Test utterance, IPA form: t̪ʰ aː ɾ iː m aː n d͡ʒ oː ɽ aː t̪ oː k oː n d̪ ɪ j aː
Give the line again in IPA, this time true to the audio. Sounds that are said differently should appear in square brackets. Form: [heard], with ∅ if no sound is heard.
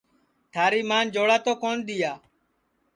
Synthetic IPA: t̪ʰ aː ɾ iː m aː n d͡ʒ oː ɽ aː t̪ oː k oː n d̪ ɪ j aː